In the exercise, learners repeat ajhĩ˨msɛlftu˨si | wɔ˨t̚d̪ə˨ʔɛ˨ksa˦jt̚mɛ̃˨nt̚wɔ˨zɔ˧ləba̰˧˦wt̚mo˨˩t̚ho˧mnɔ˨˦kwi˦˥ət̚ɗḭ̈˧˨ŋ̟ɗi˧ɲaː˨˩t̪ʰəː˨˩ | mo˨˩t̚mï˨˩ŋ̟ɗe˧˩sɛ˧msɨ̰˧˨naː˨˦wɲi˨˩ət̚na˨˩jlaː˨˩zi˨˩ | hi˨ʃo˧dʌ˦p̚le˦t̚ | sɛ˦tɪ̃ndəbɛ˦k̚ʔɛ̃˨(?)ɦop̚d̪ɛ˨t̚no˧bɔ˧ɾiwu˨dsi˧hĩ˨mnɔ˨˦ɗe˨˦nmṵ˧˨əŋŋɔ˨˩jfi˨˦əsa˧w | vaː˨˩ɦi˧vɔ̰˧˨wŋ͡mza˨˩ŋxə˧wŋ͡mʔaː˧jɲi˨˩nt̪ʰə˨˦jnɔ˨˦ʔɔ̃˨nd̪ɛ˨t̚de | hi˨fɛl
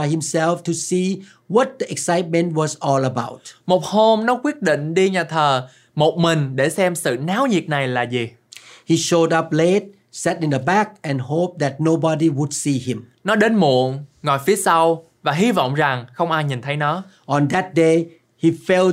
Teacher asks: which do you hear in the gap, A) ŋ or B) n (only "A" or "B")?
B